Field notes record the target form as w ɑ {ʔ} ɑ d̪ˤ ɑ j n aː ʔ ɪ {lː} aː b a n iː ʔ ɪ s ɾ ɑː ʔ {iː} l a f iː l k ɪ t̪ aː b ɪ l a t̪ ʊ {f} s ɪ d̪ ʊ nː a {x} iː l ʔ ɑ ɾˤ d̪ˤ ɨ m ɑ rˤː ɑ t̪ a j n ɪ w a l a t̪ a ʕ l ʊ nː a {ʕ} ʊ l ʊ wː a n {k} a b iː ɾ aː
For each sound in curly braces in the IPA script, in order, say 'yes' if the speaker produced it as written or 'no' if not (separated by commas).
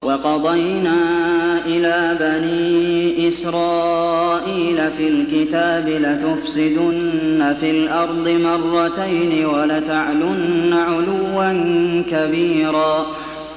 no, no, yes, yes, no, yes, yes